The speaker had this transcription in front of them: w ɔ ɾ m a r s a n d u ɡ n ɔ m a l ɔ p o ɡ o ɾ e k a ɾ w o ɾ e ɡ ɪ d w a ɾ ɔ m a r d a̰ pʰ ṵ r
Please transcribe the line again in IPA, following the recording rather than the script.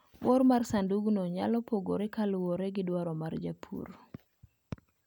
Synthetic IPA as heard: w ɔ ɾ m a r s a n d u ɡ n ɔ ɲ a l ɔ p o ɡ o ɾ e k a l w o ɾ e ɡ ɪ d w a ɾ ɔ m a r d͡ʒ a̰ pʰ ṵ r